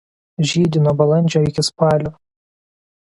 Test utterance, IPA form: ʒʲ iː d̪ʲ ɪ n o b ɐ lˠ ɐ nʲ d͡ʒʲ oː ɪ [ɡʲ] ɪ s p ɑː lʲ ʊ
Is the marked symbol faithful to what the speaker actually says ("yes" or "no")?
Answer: no